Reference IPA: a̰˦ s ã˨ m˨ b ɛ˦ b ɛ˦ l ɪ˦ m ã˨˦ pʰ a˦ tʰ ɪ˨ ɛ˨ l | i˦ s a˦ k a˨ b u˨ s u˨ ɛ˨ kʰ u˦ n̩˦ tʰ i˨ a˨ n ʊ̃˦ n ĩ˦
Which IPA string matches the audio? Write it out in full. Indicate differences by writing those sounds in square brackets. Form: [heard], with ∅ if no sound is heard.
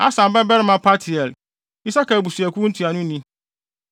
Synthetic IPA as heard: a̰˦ s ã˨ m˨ b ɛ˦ b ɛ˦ [ɾ] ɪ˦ m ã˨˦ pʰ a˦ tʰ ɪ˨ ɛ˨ l | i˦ s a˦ k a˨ b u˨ s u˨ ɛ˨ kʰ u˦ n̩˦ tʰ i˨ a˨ n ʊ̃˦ n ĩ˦